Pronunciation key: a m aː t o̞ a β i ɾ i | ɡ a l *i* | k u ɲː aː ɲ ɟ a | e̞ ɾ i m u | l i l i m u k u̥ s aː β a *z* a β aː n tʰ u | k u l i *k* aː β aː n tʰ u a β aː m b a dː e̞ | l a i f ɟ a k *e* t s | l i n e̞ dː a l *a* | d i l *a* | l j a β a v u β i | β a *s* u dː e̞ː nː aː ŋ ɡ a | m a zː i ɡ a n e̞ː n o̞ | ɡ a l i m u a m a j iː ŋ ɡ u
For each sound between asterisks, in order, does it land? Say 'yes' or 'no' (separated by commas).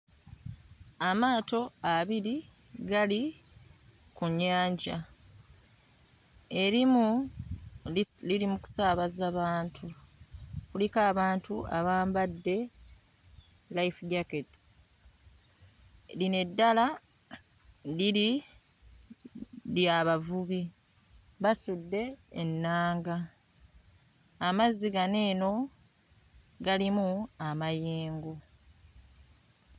yes, yes, yes, yes, yes, no, yes